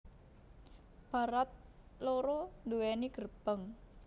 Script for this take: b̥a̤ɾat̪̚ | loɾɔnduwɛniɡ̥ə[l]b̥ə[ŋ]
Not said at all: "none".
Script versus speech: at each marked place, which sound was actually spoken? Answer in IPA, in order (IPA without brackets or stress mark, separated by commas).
r, ŋ